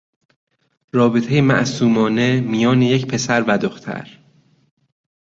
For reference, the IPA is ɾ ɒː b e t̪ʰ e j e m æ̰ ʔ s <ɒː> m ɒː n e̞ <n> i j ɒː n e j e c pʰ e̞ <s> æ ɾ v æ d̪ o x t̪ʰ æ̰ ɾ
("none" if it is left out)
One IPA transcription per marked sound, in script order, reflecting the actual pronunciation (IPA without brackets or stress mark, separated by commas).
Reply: uː, m, s